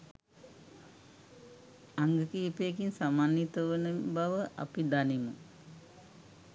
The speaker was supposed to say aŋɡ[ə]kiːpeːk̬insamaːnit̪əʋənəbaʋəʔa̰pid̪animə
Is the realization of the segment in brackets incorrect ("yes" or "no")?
no